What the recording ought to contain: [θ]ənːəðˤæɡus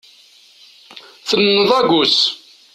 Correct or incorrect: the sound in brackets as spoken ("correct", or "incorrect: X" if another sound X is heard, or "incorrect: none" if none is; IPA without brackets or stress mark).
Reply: correct